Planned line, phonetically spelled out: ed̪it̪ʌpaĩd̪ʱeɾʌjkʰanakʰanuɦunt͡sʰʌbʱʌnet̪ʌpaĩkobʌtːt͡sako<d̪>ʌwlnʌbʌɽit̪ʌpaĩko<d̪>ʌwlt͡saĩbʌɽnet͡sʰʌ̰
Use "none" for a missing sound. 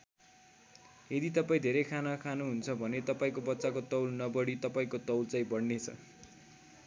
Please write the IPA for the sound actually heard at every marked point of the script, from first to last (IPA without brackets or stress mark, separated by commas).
t̪, t̪